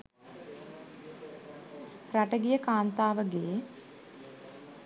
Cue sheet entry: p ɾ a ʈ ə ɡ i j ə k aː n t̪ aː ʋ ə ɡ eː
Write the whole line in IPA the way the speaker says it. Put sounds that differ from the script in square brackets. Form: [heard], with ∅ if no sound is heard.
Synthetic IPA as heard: p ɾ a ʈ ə ɡ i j ə k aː n t̪ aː ʋ ə ɡ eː